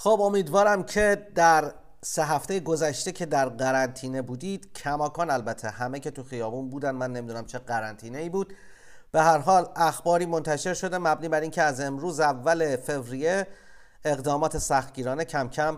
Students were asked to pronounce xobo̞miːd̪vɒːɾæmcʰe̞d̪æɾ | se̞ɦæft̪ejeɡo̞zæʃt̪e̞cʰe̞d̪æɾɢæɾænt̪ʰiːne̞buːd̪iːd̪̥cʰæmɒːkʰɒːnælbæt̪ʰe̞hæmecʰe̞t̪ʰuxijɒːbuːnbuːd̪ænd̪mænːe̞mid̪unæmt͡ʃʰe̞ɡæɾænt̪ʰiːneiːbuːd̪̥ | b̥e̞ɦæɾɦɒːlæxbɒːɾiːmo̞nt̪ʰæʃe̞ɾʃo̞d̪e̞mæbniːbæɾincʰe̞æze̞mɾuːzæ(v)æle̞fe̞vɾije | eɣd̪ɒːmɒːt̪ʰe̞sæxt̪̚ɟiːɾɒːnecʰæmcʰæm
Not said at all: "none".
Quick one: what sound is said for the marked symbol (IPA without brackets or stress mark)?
vː